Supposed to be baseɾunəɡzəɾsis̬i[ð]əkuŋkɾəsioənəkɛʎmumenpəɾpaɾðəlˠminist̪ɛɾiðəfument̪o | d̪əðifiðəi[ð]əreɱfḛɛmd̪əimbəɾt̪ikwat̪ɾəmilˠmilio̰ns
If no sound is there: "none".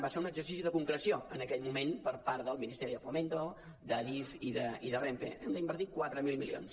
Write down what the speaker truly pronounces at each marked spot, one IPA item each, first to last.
ð, ð

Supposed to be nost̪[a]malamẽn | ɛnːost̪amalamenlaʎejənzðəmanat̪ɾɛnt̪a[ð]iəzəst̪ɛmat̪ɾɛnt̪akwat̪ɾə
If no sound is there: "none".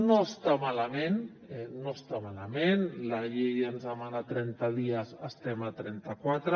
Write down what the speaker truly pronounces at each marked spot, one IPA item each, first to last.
a, ð

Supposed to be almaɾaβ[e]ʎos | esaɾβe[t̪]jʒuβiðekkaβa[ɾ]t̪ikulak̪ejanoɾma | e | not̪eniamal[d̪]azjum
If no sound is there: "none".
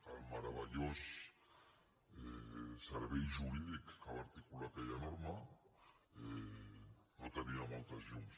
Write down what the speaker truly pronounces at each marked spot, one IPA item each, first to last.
a, none, ɾ, t̪

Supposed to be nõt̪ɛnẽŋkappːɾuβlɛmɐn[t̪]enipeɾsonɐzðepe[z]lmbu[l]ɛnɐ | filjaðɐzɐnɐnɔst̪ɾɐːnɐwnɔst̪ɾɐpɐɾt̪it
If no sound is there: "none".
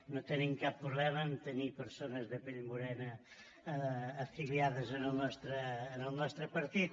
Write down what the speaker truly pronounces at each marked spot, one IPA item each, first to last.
t̪, none, ɾ

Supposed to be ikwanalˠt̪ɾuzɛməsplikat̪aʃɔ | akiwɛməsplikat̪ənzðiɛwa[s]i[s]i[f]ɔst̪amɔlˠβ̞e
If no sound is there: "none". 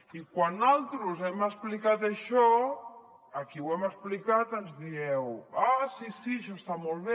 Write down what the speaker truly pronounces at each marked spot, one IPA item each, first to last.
s, s, ʃ

